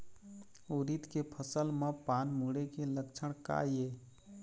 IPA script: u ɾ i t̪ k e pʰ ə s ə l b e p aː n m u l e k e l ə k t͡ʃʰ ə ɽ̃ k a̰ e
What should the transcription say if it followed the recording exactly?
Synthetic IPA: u ɾ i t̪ k e pʰ ə s ə l m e p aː n m u ɽ e k e l ə k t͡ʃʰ ə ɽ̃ k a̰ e